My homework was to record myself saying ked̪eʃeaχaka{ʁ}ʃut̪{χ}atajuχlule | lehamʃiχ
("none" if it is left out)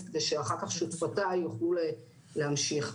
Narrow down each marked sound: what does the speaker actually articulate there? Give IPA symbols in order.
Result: χ, f

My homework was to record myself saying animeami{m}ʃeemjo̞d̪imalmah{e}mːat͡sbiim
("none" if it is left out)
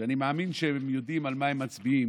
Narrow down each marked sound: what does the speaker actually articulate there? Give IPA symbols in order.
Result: n, e

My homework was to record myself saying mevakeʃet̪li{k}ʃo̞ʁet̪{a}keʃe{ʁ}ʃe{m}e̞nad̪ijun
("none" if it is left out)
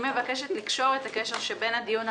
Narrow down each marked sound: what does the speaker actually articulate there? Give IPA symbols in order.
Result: k, a, ʁ, b

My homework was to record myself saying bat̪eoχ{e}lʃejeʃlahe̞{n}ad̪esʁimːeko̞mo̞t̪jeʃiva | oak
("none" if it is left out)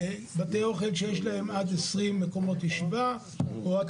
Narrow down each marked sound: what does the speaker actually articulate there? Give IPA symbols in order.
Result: e, m

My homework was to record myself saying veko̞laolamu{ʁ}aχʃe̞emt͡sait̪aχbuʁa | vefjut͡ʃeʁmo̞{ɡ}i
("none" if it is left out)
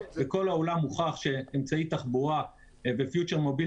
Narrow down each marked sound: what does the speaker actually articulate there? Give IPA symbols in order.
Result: χ, b

